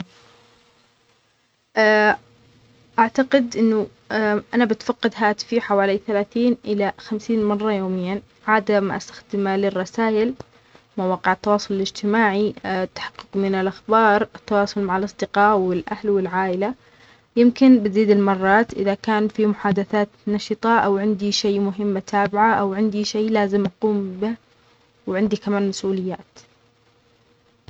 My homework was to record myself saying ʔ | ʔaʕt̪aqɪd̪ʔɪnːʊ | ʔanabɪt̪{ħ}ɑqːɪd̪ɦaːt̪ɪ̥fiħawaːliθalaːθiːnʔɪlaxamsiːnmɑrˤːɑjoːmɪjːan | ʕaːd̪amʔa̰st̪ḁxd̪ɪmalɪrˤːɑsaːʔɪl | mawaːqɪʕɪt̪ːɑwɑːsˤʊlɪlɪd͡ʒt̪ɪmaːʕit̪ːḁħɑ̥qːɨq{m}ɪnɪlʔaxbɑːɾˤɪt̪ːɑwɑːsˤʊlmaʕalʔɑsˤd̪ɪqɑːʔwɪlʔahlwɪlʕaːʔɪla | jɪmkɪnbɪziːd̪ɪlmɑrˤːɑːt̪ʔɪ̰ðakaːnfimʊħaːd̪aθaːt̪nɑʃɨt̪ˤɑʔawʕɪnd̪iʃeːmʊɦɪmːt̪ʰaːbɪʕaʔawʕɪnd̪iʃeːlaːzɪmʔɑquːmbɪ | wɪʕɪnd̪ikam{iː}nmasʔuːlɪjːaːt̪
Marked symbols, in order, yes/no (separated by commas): no, yes, no